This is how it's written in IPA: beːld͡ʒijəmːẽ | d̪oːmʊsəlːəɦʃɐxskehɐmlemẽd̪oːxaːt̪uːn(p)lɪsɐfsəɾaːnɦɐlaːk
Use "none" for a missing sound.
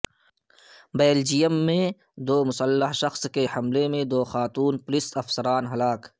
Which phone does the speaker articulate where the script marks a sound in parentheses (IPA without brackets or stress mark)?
p